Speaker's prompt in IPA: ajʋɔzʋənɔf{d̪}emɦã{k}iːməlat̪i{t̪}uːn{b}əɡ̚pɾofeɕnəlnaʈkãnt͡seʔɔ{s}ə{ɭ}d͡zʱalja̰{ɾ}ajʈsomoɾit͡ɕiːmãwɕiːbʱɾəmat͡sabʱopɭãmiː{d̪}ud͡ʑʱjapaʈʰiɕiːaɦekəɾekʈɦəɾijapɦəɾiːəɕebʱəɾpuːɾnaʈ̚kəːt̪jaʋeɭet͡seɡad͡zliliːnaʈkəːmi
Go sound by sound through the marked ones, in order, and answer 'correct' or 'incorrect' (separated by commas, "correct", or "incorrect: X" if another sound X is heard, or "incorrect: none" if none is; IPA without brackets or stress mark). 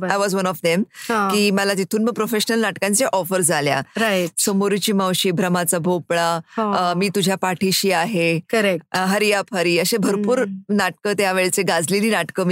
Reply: correct, correct, incorrect: t̪ʰ, incorrect: m, incorrect: f, incorrect: ɾ, correct, incorrect: t̪